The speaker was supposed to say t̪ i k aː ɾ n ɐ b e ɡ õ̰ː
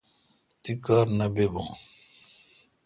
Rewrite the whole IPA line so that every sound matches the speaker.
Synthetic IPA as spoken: t̪ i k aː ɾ n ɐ b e b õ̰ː